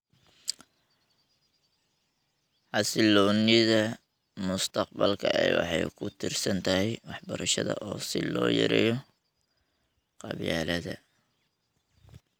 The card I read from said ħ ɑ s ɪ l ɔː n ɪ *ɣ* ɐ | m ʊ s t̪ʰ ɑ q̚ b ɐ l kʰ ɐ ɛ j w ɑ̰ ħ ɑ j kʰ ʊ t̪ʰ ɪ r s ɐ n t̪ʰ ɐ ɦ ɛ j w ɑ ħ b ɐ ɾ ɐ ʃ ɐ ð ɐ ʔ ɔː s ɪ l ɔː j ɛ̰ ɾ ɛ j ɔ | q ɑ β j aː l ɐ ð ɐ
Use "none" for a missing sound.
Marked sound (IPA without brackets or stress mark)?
ð